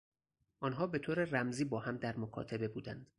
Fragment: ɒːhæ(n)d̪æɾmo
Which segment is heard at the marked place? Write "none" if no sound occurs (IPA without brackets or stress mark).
m